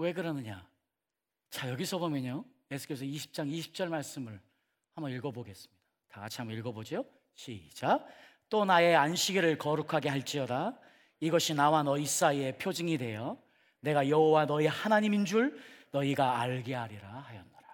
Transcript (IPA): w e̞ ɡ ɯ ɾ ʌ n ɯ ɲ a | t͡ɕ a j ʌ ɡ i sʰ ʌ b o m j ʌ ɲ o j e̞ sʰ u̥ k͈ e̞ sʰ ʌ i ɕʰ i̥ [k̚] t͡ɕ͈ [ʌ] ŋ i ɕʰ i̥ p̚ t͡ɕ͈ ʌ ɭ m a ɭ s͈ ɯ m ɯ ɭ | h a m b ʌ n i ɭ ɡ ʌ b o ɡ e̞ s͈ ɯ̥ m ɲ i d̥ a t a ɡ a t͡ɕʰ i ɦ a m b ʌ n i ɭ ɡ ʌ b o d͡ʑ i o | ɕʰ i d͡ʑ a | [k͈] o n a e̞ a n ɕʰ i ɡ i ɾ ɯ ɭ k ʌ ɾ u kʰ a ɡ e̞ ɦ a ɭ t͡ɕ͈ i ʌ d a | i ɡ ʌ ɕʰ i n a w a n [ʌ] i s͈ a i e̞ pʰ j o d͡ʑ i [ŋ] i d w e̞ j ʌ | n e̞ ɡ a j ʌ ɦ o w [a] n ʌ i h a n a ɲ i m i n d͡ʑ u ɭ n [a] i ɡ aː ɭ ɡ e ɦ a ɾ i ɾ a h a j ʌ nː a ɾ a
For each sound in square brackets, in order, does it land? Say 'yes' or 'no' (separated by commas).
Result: no, no, no, yes, yes, yes, no